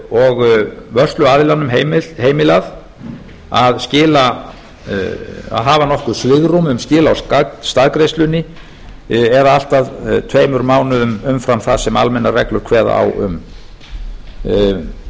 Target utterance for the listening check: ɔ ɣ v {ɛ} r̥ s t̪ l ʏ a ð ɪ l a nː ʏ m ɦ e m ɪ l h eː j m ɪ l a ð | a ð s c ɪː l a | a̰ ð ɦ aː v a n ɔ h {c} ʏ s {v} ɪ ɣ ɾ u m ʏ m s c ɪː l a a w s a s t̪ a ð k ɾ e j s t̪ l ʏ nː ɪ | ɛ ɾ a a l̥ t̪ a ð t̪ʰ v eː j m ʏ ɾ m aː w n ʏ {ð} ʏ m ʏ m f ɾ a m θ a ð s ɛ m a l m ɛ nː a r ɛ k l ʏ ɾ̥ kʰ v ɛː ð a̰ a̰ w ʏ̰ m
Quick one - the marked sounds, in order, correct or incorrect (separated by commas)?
incorrect, incorrect, correct, correct